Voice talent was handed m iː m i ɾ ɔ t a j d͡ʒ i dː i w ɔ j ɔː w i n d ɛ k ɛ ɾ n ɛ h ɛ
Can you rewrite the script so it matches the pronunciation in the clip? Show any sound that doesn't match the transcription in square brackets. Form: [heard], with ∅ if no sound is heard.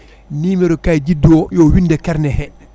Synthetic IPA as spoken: [n] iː m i ɾ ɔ [k] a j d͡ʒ i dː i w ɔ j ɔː w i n d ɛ k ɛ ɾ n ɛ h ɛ